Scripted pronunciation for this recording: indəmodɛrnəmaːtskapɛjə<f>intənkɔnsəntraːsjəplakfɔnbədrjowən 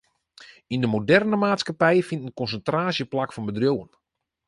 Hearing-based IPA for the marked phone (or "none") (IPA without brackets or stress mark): f